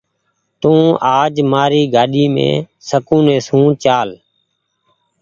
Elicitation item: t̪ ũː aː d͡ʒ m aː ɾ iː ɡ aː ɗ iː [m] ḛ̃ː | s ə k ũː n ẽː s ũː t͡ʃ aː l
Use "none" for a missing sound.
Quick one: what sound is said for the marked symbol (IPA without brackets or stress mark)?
m